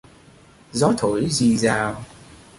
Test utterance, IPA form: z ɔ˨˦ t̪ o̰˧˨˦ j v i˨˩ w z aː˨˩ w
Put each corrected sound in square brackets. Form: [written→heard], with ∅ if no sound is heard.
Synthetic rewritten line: z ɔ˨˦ [t̪→t̪ʰ] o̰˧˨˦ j [v→z] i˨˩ [w→∅] z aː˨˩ w